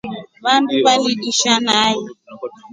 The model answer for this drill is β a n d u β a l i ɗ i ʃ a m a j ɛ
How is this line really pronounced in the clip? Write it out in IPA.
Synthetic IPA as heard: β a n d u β a l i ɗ i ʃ a n a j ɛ